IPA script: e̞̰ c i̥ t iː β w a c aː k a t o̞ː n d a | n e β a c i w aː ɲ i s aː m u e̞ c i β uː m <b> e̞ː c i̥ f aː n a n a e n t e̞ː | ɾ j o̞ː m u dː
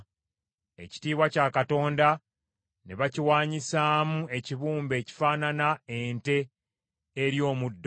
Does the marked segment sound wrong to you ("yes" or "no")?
no